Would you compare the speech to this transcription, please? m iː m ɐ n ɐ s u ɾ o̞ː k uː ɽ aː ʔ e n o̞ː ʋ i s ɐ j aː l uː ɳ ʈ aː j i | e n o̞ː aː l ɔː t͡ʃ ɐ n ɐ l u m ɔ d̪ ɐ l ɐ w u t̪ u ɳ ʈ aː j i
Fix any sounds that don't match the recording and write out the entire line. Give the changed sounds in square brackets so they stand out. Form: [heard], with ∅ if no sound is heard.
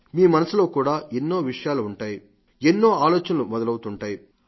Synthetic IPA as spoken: m iː m ɐ n ɐ s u [l] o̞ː k uː ɽ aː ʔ e [nː] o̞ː ʋ i [ʂ] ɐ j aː l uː ɳ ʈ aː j i | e [nː] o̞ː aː l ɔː t͡ʃ ɐ n ɐ l u m ɔ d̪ ɐ l ɐ w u t̪ u ɳ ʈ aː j i